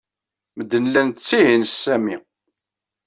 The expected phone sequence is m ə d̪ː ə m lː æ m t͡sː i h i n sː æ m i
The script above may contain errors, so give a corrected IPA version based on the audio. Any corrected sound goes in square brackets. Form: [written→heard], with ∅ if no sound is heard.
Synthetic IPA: m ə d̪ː ə [m→n] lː æ [m→n] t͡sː i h i n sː æ m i